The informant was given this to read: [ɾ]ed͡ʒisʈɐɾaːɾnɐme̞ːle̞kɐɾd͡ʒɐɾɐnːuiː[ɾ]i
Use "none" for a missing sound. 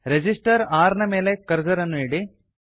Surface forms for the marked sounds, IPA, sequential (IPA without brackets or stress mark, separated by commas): ɾ, ɽ